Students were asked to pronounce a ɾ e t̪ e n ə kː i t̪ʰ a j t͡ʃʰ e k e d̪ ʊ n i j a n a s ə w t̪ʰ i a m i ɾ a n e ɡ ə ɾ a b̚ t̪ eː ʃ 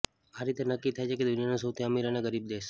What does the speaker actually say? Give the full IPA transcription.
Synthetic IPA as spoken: a ɾ i t̪ e n ə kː i t̪ʰ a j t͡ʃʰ e k e d̪ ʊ n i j a n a s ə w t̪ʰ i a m i ɾ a n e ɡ ə ɾ i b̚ d̪ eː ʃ